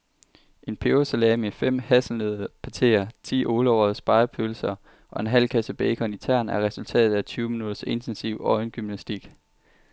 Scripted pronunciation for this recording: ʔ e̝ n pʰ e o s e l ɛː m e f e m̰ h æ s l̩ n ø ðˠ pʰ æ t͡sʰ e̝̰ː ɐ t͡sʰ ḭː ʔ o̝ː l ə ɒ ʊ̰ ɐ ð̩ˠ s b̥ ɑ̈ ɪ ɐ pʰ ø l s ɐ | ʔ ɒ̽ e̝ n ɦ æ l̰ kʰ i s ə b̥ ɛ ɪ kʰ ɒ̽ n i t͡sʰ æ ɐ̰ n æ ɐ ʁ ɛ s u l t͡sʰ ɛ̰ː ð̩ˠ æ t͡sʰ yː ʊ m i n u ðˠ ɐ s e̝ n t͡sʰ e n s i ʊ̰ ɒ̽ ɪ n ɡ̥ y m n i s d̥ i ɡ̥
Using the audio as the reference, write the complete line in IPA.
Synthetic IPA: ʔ e̝ n pʰ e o s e l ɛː m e f e m̰ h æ s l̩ n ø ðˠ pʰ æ t͡sʰ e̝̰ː ɐ t͡sʰ ḭː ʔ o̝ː l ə ɒ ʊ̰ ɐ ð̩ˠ s b̥ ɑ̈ ɪ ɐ pʰ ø l s ɐ | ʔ ɒ̽ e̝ n ɦ æ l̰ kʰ æ s ə b̥ ɛ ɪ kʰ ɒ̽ n i t͡sʰ æ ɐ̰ n æ ɐ ʁ ɛ s u l t͡sʰ ɛ̰ː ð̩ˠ æ t͡sʰ yː ʊ m i n u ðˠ ɐ s e̝ n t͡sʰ e n s i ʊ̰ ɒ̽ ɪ n ɡ̥ y m n æ s d̥ i ɡ̥